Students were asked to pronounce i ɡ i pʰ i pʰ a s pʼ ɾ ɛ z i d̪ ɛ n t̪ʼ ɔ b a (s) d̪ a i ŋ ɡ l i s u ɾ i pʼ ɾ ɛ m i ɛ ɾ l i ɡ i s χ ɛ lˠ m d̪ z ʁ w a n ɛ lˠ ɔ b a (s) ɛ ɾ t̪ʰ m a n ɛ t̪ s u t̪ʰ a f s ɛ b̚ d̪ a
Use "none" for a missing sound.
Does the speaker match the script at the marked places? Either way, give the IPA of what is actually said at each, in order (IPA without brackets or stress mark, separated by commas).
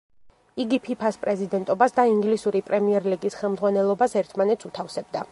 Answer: s, s